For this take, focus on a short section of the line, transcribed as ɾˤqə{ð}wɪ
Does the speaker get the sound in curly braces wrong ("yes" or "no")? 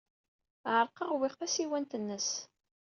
yes